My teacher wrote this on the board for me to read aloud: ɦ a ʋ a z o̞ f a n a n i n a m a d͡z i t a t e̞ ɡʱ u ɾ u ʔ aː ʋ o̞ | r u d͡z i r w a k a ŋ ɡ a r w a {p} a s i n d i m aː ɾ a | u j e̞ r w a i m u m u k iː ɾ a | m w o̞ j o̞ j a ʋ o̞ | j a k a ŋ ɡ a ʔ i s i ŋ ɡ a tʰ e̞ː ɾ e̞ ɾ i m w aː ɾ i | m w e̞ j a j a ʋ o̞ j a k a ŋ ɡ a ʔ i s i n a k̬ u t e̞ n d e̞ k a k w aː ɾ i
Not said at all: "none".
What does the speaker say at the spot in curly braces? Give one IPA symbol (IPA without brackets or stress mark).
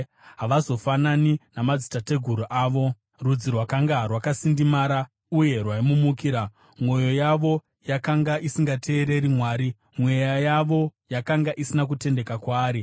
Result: k